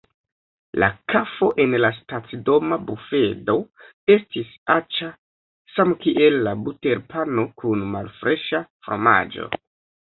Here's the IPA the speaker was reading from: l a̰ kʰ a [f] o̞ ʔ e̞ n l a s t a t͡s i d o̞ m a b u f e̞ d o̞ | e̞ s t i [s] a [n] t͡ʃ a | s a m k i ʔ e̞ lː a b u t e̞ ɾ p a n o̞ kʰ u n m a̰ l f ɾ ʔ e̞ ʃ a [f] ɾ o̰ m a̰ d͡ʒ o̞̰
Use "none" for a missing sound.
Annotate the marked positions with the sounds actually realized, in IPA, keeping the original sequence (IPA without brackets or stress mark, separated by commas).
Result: f, s, none, f